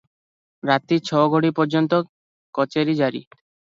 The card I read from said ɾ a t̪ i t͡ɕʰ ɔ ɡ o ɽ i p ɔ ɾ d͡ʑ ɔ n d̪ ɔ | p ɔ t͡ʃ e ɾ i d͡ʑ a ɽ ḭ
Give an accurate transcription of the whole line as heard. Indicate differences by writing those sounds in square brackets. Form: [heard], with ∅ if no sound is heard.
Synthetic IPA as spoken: ɾ a t̪ i t͡ɕʰ ɔ ɡ o ɽ i p ɔ ɾ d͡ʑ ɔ n [t̪] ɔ | [k] ɔ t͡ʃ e ɾ i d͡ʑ a [ɾ] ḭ